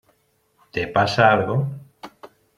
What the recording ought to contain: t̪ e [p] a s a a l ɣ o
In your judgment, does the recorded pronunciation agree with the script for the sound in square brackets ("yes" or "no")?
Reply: yes